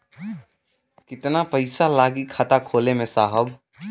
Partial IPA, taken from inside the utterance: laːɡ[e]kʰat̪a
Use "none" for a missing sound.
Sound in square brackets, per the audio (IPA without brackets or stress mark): i